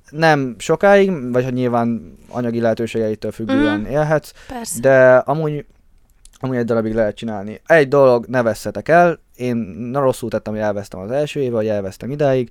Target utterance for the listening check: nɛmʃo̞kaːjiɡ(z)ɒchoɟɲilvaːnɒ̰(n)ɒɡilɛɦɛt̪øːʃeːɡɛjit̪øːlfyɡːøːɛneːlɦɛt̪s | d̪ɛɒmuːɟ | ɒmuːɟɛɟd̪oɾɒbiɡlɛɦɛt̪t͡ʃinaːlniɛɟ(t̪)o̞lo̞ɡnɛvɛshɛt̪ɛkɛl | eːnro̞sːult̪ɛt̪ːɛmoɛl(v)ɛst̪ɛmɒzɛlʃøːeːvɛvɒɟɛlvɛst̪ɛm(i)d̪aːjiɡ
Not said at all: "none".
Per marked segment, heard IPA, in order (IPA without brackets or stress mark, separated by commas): v, ɲ, d̪, v, i